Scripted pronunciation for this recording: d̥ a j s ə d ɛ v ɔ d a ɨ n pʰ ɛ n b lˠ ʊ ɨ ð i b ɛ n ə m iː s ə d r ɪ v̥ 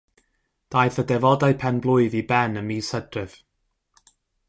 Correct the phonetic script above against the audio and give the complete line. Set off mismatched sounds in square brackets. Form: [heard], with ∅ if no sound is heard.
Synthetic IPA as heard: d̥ a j [θ] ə d ɛ v ɔ d a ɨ [∅] pʰ ɛ n b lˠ ʊ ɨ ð i b ɛ n ə m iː s ə d r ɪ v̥